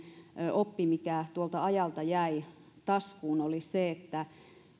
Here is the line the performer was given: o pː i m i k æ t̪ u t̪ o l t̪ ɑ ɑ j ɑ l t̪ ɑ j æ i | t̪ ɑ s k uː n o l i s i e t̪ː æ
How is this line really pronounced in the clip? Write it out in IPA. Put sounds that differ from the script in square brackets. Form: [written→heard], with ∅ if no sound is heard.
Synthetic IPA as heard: o pː i m i k æ t̪ u [t̪→∅] o l t̪ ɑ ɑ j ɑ l t̪ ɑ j æ i | t̪ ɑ s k uː n o l i s [i→e] e t̪ː æ